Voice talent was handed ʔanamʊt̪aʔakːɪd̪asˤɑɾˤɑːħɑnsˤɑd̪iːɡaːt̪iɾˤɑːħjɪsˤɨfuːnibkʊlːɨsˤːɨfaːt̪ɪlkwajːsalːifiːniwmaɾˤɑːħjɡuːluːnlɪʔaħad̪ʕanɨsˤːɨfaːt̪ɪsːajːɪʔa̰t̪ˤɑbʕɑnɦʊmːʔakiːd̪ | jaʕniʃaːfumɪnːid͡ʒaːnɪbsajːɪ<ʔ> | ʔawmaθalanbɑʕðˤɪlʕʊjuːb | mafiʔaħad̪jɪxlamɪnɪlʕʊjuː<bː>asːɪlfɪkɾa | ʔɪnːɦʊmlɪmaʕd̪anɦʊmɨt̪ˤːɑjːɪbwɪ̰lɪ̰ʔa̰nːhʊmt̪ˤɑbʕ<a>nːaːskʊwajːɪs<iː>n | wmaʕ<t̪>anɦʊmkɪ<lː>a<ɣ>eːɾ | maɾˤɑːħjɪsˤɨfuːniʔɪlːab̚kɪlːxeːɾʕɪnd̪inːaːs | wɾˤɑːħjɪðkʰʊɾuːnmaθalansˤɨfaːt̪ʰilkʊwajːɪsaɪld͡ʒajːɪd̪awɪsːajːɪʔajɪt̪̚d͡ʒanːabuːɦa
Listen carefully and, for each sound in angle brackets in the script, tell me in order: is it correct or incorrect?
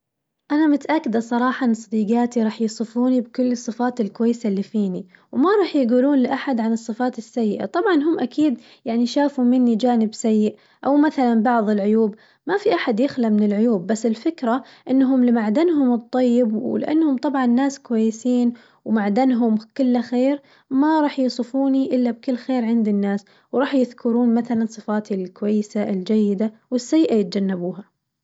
correct, correct, incorrect, correct, incorrect, correct, incorrect

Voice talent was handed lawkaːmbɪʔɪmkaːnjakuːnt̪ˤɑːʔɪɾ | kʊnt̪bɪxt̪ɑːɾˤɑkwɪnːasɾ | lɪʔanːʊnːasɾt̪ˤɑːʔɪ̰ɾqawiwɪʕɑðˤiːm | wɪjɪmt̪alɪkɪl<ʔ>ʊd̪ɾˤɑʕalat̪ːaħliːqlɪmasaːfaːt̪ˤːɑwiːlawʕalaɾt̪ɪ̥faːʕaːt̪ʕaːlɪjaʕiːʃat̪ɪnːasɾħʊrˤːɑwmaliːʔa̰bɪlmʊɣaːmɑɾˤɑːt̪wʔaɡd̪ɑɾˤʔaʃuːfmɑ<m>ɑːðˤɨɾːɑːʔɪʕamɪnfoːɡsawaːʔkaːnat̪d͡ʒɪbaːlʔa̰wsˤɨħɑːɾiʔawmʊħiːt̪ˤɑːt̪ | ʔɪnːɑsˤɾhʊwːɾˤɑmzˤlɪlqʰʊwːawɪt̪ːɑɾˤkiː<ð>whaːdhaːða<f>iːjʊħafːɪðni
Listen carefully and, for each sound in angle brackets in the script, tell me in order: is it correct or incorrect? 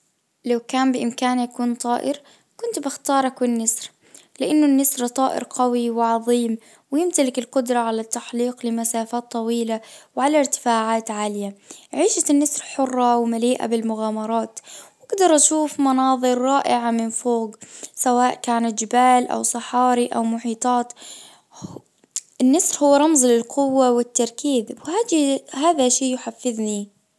incorrect, incorrect, correct, incorrect

